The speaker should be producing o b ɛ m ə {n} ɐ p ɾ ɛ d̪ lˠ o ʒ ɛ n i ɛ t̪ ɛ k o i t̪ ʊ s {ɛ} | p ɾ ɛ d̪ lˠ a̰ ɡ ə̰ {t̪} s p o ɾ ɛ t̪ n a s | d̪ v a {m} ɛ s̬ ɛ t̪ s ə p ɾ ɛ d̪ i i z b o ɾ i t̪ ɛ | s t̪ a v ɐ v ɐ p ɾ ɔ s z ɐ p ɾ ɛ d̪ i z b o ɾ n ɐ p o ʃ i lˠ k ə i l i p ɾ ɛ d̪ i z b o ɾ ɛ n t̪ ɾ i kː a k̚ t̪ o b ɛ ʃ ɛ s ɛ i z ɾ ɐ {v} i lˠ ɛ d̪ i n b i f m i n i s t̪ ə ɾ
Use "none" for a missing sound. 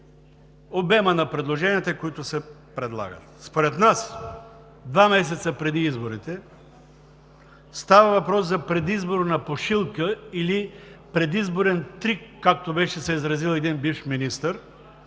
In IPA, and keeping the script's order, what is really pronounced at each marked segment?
n, ɛ, t̪, m, z

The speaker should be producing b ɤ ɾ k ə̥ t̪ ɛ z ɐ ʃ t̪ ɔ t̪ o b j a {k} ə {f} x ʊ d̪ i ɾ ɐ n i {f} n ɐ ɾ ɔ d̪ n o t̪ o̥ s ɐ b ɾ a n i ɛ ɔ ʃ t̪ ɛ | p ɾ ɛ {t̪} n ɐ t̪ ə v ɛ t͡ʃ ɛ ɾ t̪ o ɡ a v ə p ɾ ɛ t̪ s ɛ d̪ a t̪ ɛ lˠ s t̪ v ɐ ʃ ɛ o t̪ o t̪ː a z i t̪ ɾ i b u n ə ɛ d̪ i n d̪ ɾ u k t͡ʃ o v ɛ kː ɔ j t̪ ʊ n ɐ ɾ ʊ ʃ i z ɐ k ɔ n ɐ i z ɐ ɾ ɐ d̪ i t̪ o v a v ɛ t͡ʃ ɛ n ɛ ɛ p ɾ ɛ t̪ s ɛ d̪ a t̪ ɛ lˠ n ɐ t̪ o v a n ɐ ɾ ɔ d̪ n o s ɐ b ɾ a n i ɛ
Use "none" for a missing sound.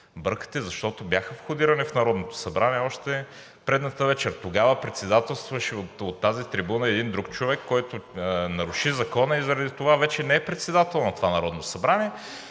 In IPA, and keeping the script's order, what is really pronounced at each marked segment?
x, f, f, d̪

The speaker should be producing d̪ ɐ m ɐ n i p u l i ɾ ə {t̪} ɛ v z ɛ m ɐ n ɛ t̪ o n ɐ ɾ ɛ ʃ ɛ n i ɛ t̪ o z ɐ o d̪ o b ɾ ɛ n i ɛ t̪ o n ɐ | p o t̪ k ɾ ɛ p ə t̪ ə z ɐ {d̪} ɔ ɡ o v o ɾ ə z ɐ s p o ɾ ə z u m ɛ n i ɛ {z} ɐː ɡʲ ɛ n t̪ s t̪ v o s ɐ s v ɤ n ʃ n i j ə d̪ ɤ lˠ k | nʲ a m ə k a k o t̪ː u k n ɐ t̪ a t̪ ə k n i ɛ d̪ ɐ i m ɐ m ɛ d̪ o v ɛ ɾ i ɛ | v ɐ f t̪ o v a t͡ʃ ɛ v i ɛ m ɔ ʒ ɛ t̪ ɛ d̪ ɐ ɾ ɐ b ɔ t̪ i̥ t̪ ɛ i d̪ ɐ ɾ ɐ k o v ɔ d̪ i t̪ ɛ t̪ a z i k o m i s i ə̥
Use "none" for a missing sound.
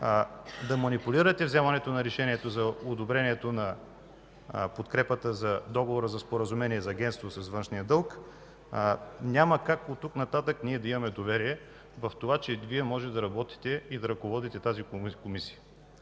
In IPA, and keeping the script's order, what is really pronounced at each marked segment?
t̪, d̪, z

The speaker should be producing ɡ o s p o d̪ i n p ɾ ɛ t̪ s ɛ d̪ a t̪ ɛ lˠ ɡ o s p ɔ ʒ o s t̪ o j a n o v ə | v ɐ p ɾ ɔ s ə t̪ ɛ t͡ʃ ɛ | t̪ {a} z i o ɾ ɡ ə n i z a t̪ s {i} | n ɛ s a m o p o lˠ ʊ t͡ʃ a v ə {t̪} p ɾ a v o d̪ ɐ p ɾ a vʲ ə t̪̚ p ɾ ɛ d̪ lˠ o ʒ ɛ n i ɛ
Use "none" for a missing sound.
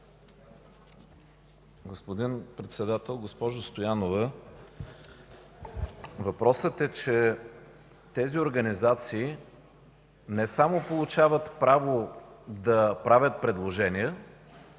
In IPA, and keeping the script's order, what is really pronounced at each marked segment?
ɛ, iː, t̪

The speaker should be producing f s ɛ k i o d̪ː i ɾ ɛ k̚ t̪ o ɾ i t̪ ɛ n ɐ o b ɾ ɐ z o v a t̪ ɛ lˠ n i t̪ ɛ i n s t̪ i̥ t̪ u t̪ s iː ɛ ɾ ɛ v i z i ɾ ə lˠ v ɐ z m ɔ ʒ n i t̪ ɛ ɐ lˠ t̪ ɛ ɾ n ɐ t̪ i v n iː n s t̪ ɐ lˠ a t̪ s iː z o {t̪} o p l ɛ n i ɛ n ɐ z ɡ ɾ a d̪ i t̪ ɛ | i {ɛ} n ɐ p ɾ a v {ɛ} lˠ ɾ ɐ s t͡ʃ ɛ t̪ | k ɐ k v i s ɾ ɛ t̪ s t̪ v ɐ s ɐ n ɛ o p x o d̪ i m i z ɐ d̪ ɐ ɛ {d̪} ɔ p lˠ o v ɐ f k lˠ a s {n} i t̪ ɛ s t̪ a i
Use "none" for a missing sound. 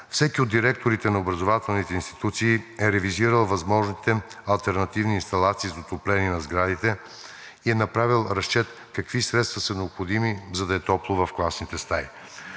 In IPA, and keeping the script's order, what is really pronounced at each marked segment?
t̪, ɛ, i, t̪, n

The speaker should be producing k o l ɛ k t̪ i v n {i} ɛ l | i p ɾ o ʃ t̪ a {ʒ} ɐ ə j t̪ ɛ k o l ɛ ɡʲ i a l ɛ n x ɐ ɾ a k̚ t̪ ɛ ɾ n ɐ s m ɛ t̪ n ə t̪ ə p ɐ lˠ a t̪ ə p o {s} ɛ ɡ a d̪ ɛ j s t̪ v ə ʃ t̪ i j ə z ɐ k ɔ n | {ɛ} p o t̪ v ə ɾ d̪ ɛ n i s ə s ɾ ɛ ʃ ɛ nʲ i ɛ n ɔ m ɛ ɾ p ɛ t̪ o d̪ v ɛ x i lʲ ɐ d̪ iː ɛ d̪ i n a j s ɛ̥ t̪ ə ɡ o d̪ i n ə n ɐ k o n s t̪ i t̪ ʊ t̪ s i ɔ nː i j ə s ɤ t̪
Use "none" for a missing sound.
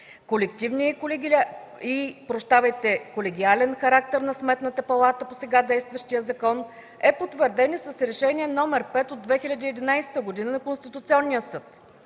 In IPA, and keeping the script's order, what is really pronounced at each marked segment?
i, v, s, ɛ

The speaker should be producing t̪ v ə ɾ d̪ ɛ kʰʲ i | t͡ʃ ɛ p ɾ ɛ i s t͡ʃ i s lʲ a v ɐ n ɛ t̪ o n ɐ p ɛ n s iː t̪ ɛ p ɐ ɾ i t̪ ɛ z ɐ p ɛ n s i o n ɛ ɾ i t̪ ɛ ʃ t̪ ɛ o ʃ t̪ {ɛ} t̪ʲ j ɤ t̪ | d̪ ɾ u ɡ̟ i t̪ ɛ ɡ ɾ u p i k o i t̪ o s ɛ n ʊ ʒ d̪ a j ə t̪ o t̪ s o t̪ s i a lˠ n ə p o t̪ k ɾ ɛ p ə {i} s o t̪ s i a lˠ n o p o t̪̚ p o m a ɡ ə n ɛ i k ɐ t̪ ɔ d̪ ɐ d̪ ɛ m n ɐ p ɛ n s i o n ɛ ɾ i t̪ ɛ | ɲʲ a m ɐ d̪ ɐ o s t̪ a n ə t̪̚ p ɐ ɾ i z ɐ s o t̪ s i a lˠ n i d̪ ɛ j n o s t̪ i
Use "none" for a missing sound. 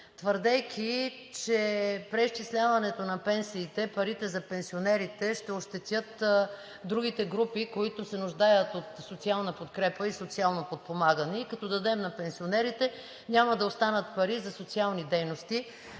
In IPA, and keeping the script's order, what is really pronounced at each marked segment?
ɛ, i

